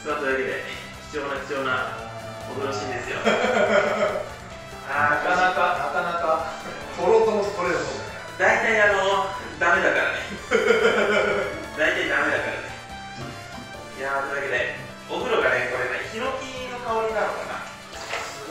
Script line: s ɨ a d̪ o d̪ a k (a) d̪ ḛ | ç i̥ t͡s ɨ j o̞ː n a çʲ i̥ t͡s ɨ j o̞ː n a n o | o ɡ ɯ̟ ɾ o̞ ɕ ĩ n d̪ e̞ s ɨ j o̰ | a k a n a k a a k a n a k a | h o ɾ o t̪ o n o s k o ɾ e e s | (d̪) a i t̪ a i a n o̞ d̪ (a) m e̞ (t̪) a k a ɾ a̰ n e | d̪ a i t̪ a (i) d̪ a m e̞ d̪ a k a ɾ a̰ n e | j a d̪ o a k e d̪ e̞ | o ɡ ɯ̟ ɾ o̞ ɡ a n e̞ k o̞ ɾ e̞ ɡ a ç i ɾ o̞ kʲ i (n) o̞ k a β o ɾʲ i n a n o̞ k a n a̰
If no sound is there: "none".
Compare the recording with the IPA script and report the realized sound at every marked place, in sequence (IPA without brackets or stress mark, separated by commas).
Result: e, d̪, a, d̪, i, n